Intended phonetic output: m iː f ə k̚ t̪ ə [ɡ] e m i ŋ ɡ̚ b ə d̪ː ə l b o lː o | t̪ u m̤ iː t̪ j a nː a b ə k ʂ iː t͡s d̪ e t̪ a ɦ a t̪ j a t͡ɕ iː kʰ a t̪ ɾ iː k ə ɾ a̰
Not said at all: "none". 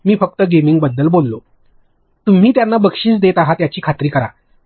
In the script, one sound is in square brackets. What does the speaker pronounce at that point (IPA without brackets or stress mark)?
ɡ